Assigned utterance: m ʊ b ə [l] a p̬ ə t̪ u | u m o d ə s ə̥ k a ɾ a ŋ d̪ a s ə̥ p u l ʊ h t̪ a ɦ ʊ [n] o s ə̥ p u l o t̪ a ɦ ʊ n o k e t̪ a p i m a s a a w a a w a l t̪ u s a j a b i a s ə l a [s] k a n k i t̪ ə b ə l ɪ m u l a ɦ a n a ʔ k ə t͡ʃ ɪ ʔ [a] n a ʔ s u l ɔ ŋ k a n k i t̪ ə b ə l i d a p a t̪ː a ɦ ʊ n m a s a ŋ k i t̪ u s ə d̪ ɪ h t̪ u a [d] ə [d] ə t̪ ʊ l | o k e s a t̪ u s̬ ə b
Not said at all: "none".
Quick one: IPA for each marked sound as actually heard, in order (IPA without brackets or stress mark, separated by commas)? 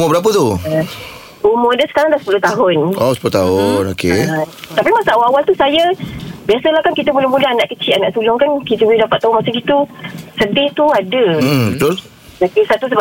ɾ, n, h, a, d, b